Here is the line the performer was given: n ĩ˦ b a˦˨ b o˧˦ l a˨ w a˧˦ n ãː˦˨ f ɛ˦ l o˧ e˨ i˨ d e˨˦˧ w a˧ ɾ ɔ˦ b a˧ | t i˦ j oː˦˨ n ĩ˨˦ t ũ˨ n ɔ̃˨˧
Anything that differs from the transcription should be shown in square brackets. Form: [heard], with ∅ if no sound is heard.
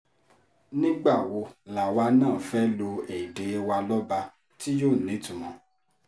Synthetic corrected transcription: n ĩ˦ [ɡ͡b] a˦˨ [w] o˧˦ l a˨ w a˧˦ n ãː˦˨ f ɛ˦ l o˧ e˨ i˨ d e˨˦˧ w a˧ [l] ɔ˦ b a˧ | t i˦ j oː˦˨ n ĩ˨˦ t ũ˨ [m] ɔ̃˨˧